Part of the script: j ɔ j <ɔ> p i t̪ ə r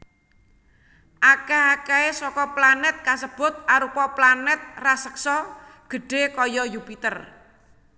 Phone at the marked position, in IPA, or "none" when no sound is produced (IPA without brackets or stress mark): u